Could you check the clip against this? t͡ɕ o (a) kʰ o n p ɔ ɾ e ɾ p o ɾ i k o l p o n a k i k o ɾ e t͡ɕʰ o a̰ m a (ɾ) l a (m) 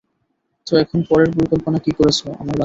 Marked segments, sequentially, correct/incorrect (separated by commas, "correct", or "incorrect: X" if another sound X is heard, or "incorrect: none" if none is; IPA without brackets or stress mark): incorrect: ɛ, correct, incorrect: none